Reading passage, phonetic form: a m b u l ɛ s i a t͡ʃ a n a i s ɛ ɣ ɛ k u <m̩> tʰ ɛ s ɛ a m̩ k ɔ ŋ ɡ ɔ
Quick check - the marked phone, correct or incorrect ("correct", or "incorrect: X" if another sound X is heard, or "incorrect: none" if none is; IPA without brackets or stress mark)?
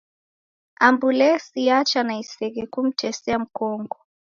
correct